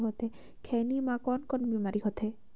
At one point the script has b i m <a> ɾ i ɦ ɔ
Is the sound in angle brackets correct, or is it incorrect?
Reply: correct